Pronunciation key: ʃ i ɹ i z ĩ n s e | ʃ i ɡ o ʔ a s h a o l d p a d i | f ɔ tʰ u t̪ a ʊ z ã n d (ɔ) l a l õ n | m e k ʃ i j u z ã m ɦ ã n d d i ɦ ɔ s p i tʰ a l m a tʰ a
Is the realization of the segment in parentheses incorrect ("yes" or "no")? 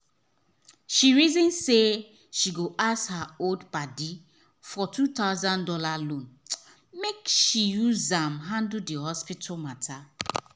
no